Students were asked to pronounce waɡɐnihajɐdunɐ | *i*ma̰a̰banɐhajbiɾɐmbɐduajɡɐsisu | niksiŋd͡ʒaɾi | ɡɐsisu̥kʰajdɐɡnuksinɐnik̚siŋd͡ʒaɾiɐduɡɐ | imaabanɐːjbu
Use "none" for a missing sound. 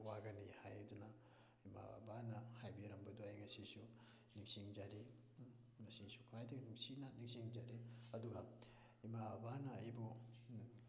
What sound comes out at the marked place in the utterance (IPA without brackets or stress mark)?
i